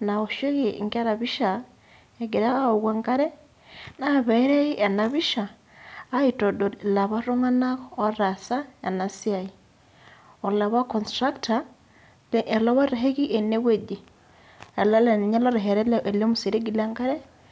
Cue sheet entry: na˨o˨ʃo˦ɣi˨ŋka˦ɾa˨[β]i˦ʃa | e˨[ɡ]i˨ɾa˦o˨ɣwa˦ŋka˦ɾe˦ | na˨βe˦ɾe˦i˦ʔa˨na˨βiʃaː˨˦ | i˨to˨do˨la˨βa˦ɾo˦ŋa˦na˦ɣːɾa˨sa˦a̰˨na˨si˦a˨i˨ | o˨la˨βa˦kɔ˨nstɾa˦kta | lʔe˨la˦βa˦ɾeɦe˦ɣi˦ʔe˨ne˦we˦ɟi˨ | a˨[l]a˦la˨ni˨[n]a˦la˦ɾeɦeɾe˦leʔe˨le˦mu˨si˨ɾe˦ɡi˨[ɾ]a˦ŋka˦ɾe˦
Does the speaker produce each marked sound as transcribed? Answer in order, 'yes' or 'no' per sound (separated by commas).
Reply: yes, yes, yes, no, no